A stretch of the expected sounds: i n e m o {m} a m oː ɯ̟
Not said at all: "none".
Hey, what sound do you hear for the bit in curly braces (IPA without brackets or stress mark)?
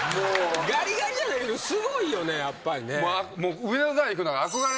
none